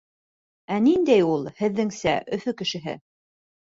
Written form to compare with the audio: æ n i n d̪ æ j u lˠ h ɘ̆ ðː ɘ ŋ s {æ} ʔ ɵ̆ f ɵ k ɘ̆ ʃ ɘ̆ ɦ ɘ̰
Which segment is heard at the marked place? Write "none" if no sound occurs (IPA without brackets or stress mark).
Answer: æ